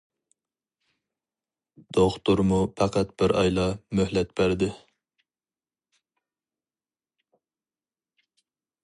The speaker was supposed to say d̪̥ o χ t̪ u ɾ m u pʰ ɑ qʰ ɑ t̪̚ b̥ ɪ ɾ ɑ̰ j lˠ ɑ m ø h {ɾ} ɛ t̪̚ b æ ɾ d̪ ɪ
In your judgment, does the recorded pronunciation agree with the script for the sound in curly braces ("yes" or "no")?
no